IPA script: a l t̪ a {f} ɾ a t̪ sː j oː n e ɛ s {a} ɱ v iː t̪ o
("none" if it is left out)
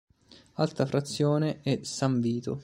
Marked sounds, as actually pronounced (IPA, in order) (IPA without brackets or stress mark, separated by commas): f, a